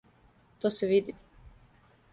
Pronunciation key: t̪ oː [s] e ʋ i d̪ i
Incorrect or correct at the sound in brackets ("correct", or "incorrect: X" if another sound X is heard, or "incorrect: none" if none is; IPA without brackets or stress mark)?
correct